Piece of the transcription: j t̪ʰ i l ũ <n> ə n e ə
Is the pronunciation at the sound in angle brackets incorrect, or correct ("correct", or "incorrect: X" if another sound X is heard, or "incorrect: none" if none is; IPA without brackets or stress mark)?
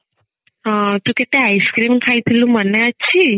incorrect: m